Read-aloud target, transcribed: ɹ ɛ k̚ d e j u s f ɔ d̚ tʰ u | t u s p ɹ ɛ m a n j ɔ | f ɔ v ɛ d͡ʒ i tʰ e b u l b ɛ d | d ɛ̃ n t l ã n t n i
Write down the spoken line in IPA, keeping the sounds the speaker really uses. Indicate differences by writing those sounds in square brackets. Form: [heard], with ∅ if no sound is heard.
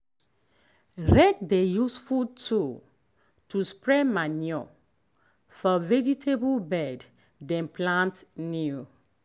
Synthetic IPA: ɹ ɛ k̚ d e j u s f [u] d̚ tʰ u | t u s p ɹ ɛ m a n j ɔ | f ɔ v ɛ d͡ʒ i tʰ e b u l b ɛ d | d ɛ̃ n [p] l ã n t n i